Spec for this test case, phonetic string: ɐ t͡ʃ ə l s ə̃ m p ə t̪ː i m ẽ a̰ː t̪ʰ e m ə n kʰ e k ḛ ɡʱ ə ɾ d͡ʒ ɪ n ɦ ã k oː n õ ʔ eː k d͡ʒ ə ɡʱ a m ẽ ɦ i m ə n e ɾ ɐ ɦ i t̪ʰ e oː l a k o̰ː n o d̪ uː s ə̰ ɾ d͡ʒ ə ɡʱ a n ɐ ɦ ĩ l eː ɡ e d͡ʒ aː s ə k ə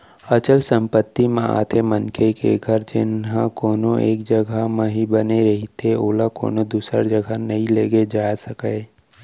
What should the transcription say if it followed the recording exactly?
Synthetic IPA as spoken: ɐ t͡ʃ ə l s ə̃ m p ə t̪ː i m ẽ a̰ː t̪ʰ e m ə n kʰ e k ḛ ɡʱ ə ɾ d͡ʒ ɪ n ɦ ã k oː n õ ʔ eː k d͡ʒ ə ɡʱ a m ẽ ɦ i b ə n e ɾ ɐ ɦ i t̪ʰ e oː l a k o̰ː n o d̪ uː s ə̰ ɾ d͡ʒ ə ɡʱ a n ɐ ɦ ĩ l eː ɡ e d͡ʒ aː s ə k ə